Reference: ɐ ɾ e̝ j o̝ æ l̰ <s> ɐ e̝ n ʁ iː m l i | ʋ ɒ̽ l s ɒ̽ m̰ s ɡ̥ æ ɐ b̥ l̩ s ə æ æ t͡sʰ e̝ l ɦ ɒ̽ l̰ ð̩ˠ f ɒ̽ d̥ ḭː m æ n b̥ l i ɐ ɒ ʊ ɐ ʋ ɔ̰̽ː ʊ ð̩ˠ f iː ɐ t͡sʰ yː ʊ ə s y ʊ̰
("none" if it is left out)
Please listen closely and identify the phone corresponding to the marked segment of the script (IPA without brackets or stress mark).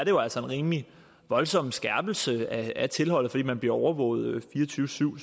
s